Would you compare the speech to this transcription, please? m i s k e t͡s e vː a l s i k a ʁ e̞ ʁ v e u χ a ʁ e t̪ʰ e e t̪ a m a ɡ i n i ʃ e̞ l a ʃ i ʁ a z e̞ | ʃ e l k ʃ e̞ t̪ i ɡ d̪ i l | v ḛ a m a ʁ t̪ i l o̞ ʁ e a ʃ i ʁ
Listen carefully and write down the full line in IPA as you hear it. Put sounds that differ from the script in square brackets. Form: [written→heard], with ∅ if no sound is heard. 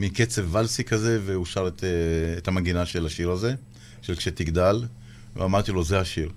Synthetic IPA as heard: m i [s→∅] k e t͡s e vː a l s i k a [ʁ→z] e̞ [ʁ→∅] v e u [χ→ʃ] a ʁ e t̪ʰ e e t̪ a m a ɡ i n [i→a] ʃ e̞ l a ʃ i ʁ a z e̞ | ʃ e l k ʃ e̞ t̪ i ɡ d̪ [i→a] l | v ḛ a m a ʁ t̪ i l o̞ [ʁ→z] e a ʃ i ʁ